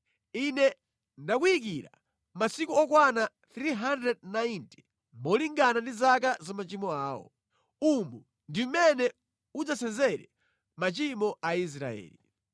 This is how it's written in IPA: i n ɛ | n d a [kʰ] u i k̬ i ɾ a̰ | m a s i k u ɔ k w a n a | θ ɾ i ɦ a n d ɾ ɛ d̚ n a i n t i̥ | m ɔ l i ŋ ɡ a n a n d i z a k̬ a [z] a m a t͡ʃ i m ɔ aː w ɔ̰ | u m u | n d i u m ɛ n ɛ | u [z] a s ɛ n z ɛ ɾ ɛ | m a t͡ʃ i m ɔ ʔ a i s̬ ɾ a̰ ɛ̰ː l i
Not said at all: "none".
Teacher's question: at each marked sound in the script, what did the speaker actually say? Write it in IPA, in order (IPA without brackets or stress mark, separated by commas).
k, z, d͡z